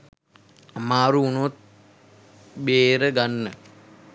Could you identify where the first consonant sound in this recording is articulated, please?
labial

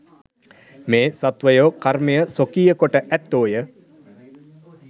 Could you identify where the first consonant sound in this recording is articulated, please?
labial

